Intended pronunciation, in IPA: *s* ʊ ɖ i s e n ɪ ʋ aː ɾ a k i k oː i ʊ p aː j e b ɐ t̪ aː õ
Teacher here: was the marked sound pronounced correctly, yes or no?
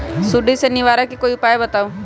yes